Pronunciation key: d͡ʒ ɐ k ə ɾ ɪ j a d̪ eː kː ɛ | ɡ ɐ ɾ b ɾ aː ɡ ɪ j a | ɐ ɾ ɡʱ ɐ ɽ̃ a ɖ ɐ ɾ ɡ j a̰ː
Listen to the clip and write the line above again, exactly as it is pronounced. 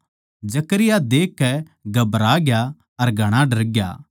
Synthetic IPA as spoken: d͡ʒ ɐ k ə ɾ ɪ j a d̪ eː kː ɛ | ɡ ɐ b ɾ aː ɡ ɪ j a | ɐ ɾ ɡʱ ɐ ɽ̃ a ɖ ɐ ɾ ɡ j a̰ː